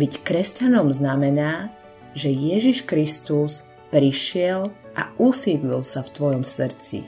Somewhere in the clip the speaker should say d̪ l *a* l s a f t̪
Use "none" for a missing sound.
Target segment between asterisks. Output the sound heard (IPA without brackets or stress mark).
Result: i